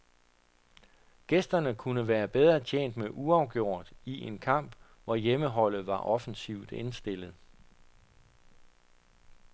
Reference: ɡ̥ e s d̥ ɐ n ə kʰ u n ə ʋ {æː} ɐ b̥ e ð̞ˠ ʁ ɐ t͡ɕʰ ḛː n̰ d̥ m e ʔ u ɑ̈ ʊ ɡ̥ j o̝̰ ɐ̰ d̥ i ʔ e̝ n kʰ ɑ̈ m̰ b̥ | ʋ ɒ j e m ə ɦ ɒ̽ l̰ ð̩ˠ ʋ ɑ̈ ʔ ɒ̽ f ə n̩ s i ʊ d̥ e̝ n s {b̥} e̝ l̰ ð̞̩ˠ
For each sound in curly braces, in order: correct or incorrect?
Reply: correct, incorrect: d̥

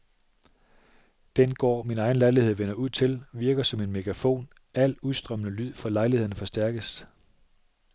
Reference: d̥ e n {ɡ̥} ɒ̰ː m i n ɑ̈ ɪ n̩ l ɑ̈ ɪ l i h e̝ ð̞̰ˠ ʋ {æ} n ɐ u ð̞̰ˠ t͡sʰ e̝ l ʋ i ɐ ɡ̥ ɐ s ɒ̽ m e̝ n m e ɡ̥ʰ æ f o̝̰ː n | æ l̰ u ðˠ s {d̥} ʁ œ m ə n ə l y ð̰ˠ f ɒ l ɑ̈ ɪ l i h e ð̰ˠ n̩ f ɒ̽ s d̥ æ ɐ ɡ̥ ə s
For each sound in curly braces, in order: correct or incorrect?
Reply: correct, incorrect: e, correct

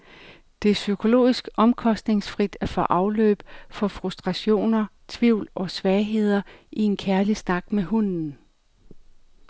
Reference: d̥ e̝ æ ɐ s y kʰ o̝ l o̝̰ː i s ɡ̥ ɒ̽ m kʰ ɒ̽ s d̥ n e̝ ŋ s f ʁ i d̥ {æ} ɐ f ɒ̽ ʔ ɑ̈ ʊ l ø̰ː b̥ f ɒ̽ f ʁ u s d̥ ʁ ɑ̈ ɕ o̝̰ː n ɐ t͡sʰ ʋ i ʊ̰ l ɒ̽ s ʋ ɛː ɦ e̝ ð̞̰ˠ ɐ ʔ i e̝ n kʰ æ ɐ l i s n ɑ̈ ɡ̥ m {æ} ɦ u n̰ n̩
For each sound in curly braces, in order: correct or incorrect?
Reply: correct, incorrect: e

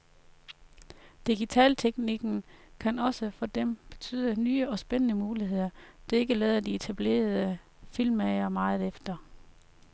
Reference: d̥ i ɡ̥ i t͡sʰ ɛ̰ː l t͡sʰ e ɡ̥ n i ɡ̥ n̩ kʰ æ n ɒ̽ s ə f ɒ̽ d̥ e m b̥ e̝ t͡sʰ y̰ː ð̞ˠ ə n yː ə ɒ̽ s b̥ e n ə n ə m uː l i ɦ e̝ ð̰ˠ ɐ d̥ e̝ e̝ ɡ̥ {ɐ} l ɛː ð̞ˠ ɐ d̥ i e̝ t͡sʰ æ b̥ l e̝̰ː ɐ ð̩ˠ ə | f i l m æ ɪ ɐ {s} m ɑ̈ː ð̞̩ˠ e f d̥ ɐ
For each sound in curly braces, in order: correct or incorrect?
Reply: incorrect: ə, incorrect: none

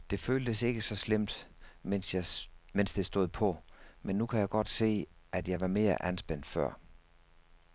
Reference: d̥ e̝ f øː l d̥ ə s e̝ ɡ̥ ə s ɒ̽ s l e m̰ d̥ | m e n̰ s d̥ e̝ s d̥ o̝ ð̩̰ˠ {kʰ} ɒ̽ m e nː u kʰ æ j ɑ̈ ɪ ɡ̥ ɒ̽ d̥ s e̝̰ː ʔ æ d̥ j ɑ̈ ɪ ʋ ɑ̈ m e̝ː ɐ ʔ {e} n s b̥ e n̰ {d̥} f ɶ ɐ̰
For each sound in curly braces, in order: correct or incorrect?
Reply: incorrect: pʰ, incorrect: æ, correct

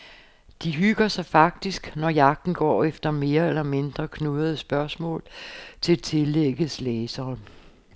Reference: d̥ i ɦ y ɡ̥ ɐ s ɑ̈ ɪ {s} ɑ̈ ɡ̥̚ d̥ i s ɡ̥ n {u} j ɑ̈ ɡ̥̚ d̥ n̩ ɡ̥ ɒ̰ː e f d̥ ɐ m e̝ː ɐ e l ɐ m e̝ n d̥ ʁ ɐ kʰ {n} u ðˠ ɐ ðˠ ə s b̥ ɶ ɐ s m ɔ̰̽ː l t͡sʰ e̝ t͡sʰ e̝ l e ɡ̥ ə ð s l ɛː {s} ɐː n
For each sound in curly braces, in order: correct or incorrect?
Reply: incorrect: f, incorrect: ɒ, correct, correct

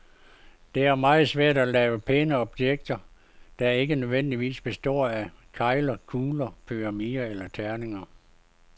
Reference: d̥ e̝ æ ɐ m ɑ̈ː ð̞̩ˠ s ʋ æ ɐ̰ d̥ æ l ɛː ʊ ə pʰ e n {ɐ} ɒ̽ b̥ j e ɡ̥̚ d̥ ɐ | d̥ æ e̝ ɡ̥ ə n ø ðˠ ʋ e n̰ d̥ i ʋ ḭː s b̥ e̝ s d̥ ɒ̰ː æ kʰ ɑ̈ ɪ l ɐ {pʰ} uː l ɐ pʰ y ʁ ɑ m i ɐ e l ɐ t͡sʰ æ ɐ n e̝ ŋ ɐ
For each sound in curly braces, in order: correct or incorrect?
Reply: incorrect: ə, incorrect: kʰ

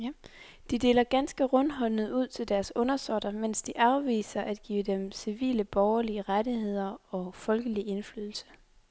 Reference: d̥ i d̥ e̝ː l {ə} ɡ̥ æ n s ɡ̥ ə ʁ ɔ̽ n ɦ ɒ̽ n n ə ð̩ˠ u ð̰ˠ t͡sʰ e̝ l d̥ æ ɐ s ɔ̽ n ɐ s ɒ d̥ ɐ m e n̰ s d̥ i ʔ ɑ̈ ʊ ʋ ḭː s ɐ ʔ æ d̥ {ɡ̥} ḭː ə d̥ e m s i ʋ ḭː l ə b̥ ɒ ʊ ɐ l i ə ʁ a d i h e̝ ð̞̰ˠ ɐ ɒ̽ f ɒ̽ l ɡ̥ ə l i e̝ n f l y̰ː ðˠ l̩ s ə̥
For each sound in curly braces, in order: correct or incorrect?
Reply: incorrect: ɐ, correct

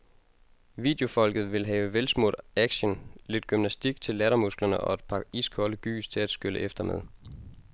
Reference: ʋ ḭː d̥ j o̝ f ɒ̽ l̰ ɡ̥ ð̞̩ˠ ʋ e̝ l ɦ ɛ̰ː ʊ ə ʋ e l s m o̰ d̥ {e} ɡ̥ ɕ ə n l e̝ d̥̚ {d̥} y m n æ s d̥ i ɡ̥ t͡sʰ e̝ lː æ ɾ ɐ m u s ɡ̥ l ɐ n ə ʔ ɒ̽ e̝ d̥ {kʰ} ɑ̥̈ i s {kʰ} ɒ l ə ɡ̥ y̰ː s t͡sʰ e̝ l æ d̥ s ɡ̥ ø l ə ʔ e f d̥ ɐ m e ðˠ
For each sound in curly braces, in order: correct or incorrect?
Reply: incorrect: æ, incorrect: ɡ̥, incorrect: pʰ, correct

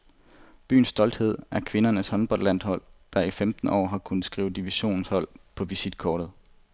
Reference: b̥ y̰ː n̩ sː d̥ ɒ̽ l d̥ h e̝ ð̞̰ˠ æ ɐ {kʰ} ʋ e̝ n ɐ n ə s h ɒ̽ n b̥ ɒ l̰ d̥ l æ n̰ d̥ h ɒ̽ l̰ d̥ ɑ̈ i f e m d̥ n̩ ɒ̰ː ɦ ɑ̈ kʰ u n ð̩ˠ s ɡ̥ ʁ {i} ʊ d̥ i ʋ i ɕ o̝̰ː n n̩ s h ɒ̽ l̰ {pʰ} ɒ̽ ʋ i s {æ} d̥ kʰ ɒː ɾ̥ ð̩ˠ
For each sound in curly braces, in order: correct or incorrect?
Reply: correct, incorrect: iː, correct, incorrect: i

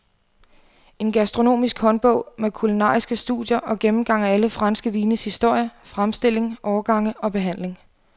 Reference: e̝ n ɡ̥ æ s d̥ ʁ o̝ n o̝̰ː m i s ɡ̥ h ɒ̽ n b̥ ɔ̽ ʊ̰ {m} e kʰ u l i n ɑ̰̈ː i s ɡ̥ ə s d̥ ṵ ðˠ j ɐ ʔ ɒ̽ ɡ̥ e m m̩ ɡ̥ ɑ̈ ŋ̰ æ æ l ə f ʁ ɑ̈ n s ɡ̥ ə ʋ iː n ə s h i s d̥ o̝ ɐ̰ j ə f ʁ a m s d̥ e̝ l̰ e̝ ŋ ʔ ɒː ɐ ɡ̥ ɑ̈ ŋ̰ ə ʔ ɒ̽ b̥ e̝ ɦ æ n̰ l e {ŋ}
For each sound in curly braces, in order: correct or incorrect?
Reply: correct, correct

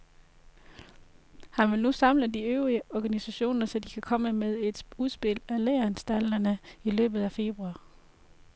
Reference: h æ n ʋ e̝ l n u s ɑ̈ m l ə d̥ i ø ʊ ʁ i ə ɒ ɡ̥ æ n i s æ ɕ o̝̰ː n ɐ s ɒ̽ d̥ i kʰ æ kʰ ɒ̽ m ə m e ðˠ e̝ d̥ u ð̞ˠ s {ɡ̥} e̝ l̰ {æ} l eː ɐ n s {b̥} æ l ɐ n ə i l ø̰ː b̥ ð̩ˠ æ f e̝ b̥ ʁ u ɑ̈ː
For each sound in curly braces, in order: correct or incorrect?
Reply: incorrect: b̥, correct, incorrect: d̥

